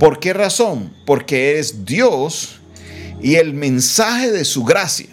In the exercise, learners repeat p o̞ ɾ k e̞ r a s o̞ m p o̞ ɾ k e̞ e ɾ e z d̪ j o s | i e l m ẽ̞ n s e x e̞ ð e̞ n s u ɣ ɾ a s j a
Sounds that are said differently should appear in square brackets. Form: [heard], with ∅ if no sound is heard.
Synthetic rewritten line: p o̞ ɾ k e̞ r a s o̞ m p o̞ ɾ k e̞ e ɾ e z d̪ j o s | i e l m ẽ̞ n s [a] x e̞ ð e̞ [∅] s u ɣ ɾ a s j a